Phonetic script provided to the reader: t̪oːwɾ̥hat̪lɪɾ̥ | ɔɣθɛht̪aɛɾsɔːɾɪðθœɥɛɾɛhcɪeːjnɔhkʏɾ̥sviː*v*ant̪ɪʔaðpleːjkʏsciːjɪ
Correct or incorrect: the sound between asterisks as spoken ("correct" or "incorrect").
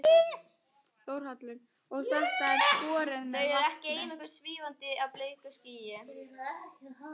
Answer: correct